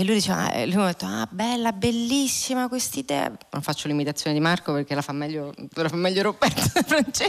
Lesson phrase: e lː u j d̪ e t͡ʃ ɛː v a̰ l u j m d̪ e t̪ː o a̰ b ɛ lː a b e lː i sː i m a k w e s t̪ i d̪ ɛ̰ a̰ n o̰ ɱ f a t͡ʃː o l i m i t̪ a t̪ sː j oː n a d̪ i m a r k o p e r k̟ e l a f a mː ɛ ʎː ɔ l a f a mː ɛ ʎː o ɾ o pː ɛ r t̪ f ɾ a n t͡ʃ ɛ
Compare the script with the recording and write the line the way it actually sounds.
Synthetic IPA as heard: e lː u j d̪ i t͡ʃ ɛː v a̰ l u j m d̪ e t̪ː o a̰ b ɛ lː a b e lː i sː i m a k w e s t̪ i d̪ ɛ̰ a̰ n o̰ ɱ f a t͡ʃː o l i m i t̪ a t̪ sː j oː n e d̪ i m a r k o p e r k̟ e l a f a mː ɛ ʎː o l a f a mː ɛ ʎː o ɾ o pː ɛ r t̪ f ɾ a n t͡ʃ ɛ